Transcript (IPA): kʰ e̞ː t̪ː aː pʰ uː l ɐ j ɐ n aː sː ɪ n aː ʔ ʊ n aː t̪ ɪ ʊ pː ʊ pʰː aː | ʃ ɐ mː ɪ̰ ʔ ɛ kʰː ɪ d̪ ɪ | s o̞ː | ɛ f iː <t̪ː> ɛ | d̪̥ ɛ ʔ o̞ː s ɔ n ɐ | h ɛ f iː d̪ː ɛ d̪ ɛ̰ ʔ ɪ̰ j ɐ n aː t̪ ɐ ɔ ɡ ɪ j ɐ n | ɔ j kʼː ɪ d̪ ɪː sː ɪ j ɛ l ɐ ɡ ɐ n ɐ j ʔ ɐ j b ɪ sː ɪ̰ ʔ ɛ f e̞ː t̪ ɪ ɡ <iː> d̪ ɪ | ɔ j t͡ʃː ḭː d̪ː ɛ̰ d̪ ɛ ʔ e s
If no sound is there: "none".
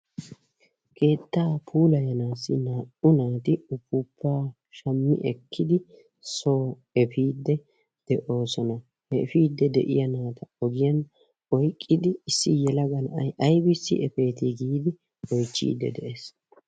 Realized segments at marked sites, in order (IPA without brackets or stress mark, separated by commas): d̪ː, iː